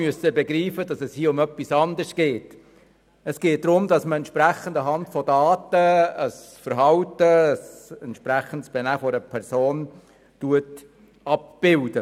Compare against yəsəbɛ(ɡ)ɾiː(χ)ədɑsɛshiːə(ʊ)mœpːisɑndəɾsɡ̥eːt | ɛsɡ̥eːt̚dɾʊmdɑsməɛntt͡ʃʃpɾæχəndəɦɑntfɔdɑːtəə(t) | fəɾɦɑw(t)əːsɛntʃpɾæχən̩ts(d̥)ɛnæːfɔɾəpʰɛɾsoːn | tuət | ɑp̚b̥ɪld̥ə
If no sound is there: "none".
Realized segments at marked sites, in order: ɡ, f, ʊ, s, t, b̥

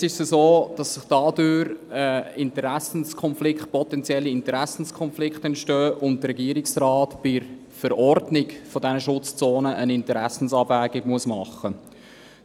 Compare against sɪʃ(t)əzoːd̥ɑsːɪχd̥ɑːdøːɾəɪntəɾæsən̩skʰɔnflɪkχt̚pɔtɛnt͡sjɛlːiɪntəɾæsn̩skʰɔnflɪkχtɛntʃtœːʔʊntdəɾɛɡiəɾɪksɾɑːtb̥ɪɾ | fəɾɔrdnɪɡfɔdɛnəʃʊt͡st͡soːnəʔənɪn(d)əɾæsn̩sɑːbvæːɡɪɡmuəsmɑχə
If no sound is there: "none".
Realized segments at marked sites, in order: s, t

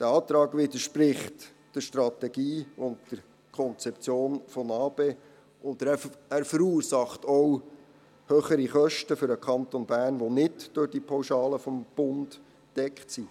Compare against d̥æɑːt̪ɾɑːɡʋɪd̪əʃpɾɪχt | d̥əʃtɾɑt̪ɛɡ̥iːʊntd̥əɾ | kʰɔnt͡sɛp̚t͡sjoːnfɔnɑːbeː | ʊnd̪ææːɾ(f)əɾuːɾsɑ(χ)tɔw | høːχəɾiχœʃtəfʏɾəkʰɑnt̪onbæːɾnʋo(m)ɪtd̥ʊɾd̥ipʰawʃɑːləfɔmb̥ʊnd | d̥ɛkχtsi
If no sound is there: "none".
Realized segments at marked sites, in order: f, χ, n

